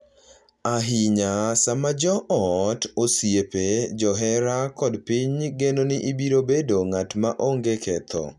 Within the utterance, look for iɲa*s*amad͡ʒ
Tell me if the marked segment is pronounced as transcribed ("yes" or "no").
yes